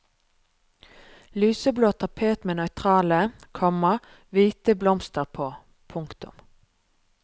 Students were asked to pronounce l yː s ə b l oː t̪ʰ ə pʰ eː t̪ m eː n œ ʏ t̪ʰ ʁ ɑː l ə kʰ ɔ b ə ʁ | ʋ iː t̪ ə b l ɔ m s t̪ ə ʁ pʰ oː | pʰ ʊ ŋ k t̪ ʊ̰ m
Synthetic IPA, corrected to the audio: l yː s ə b l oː t̪ʰ ɑ pʰ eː t̪ m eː n œ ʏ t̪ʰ ʁ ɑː l ə kʰ ɔ m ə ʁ | ʋ iː t̪ ə b l ɔ m s t̪ ə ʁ pʰ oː | pʰ ʊ ŋ k t̪ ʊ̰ m